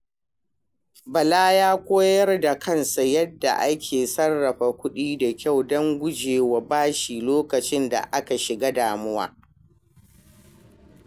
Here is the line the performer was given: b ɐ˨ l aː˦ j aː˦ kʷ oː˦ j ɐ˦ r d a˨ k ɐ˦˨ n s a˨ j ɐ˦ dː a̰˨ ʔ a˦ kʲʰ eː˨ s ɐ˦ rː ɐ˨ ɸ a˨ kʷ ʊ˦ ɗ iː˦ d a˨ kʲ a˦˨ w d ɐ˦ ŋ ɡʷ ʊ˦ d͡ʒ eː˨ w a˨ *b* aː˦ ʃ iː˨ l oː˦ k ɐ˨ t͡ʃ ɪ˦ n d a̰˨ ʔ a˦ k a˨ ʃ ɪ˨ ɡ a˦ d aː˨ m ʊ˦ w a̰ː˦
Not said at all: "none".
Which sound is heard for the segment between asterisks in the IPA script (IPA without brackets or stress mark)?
b